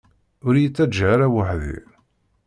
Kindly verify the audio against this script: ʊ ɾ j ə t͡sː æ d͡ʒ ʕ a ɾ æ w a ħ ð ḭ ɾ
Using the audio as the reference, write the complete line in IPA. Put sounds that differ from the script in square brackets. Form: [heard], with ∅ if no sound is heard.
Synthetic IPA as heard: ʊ ɾ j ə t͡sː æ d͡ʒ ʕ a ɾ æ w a ħ ð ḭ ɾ